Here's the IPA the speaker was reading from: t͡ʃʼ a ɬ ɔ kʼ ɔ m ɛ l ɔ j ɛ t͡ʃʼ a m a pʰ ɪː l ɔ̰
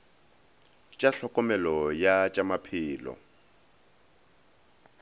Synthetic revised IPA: t͡ʃʼ a ɬ ɔ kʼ ɔ m ɛ l ɔ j a t͡ʃʼ a m a pʰ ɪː l ɔ̰